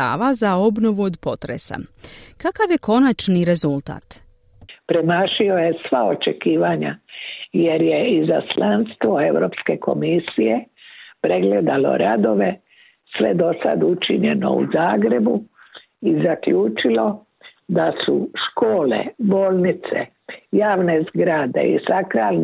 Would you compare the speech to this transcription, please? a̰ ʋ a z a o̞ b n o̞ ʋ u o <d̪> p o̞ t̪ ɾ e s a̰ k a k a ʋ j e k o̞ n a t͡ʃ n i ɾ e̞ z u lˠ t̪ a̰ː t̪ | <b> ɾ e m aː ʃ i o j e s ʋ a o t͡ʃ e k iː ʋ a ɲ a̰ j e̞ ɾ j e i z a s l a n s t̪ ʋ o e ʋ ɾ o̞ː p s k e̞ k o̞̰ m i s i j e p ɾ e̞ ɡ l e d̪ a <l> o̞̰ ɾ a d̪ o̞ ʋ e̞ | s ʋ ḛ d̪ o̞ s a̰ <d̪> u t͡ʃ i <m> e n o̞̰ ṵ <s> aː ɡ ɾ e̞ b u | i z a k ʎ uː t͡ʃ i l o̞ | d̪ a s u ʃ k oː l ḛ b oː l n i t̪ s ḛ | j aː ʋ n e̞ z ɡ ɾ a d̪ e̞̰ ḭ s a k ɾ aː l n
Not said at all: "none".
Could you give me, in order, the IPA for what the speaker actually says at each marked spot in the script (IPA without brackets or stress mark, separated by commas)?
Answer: d̪, p, l, d̪, ɲ, z